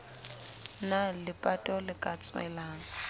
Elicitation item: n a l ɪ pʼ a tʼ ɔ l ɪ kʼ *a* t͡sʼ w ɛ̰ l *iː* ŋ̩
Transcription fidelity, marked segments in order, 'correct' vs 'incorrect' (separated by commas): correct, incorrect